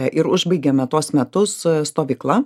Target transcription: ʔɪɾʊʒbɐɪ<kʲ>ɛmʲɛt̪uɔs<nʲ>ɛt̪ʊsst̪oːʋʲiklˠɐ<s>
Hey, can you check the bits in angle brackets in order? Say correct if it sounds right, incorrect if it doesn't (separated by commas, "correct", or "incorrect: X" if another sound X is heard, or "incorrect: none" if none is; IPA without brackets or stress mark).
incorrect: ɡʲ, incorrect: mʲ, incorrect: none